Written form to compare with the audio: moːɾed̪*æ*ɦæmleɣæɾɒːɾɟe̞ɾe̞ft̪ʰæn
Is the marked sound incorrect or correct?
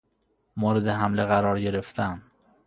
incorrect: e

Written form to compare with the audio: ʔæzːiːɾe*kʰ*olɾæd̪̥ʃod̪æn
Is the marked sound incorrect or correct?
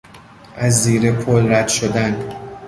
incorrect: pʰ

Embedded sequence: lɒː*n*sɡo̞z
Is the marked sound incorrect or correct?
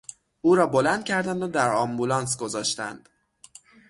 correct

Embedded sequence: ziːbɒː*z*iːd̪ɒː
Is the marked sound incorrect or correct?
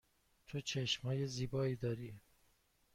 incorrect: none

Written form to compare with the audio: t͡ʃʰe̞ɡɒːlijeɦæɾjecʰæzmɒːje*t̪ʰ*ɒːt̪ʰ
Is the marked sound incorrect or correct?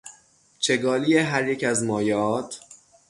incorrect: none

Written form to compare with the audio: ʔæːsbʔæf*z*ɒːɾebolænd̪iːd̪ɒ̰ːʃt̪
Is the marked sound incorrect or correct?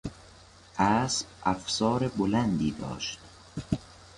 incorrect: s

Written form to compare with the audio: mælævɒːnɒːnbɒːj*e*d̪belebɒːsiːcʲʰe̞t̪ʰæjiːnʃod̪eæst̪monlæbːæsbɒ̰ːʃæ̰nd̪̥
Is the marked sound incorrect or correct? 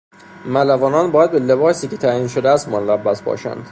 incorrect: æ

